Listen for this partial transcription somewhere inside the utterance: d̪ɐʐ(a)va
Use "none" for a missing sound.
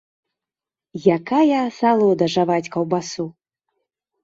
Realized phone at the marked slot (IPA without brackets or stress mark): a